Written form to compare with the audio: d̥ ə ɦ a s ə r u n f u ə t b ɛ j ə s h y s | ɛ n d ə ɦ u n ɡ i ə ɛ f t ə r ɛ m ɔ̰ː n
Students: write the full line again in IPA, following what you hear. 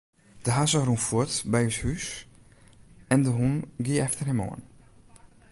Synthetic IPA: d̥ ə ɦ a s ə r u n f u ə t b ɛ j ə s h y s | ɛ n d ə ɦ u n ɡ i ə ɛ f t ə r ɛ m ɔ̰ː n